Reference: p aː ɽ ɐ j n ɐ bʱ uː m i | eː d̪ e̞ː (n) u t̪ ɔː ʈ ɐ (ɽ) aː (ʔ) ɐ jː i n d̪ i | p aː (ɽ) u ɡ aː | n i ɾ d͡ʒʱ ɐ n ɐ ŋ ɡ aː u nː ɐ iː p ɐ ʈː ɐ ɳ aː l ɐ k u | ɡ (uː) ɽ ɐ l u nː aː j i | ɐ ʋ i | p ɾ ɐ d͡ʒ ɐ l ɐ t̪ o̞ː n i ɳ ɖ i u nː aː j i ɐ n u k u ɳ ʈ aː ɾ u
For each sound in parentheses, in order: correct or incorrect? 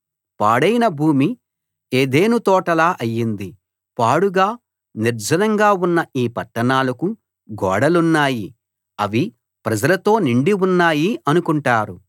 correct, incorrect, correct, correct, incorrect

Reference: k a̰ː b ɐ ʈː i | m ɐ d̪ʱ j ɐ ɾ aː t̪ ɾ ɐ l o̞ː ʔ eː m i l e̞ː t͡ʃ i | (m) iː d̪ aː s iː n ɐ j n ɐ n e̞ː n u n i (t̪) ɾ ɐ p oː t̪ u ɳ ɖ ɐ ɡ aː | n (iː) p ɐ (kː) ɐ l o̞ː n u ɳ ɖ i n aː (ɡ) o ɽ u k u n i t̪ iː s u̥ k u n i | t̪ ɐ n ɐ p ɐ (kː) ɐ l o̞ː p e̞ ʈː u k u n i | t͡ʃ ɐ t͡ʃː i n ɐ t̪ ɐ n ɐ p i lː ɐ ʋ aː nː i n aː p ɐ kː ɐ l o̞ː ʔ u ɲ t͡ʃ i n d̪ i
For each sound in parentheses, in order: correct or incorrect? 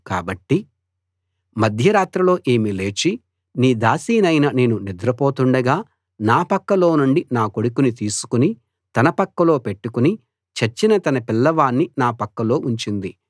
incorrect, incorrect, incorrect, correct, incorrect, correct

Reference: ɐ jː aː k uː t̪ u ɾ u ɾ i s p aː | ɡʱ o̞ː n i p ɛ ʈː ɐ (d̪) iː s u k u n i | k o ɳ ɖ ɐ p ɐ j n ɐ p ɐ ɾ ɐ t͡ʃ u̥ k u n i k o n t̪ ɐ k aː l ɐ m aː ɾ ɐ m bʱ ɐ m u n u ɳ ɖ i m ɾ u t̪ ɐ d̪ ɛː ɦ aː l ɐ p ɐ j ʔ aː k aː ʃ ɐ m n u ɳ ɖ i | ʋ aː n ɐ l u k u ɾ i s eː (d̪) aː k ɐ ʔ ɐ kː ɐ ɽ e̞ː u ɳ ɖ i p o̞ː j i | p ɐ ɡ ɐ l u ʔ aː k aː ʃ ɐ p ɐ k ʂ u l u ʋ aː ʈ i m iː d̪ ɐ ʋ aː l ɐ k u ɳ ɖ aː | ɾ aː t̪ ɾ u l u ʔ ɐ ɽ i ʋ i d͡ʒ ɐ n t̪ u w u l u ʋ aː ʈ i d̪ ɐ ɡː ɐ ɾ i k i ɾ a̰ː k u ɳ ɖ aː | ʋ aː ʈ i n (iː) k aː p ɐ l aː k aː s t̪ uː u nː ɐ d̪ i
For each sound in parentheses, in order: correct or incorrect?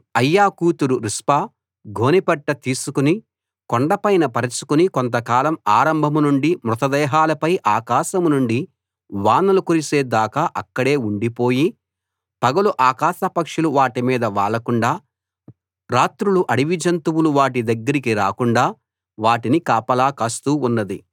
incorrect, correct, incorrect

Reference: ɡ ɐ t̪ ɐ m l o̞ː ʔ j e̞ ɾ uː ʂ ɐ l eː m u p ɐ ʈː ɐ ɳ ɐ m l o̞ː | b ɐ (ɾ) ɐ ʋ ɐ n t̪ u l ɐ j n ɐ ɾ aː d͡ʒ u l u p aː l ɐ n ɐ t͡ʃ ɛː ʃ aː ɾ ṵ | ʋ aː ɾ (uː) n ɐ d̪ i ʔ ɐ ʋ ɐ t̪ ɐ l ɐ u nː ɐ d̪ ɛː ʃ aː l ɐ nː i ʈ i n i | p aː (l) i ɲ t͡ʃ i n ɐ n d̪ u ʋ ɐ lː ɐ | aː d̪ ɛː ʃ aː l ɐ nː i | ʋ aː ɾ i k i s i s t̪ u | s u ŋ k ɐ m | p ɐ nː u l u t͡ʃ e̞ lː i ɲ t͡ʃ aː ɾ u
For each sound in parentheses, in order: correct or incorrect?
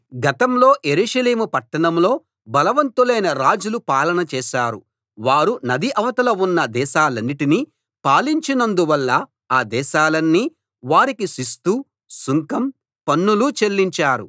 incorrect, incorrect, correct

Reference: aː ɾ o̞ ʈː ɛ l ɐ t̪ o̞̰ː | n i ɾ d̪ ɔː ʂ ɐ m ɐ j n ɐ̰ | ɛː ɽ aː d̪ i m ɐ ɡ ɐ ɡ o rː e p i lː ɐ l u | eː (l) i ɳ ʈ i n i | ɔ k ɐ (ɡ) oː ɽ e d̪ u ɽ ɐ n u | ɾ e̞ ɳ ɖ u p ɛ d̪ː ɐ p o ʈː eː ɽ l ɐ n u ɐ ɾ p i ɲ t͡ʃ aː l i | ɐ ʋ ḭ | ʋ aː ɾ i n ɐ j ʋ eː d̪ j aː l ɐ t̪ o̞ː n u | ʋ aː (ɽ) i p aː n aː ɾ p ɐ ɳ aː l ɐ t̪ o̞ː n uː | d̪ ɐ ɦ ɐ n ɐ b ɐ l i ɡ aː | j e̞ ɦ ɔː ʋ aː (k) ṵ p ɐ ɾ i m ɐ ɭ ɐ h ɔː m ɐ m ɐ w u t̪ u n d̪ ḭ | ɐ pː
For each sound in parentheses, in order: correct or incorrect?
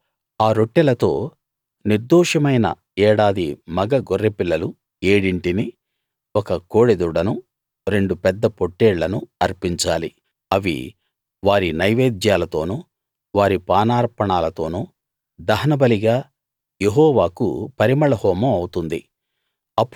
incorrect, incorrect, incorrect, correct

